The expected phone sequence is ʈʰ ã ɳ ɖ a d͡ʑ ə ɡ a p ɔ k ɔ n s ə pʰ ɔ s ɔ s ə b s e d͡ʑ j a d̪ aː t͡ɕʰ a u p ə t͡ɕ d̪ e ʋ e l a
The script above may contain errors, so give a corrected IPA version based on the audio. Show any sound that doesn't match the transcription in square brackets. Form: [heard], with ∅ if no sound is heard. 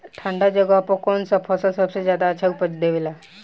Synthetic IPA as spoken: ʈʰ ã ɳ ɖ a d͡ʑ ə ɡ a p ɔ k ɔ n s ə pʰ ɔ s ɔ s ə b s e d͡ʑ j a d̪ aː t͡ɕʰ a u p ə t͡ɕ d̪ e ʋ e l a